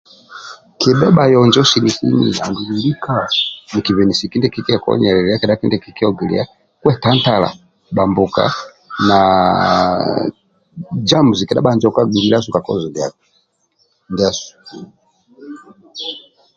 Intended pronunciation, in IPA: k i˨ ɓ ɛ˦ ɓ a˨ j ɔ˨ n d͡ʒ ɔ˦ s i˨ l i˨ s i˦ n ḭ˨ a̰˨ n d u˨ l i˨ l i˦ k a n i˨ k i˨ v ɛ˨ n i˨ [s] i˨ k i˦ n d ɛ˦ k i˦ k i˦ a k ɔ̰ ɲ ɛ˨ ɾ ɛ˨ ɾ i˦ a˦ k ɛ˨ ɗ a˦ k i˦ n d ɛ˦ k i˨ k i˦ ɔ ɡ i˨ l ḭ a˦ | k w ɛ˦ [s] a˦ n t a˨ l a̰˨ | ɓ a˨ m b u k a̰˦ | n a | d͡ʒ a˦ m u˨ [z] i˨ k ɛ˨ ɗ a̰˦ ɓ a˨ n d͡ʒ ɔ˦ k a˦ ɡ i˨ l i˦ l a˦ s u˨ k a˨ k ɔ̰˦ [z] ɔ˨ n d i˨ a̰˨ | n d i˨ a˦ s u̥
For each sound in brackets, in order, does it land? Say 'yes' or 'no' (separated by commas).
yes, no, yes, yes